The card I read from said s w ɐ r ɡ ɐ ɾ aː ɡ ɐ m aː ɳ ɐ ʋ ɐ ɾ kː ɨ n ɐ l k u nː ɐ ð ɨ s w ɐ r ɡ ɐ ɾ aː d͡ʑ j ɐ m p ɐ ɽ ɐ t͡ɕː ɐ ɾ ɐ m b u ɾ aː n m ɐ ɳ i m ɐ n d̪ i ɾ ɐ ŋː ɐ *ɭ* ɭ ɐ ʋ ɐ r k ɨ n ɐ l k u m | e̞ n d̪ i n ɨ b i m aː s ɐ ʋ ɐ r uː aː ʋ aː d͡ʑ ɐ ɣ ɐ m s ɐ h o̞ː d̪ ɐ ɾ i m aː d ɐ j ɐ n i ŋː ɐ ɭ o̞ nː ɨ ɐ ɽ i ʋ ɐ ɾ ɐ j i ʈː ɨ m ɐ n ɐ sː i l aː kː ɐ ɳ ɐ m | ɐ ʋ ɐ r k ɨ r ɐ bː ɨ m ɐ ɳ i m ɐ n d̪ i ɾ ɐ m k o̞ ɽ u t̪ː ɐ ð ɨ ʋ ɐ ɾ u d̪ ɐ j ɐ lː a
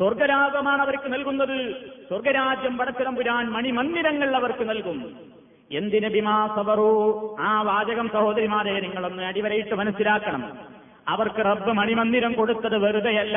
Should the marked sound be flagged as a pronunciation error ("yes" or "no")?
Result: no